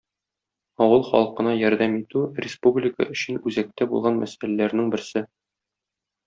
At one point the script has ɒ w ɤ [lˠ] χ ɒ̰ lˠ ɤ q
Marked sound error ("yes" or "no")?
no